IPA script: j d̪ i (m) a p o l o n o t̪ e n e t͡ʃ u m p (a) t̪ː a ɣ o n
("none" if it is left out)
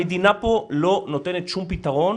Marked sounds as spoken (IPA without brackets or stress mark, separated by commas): n, i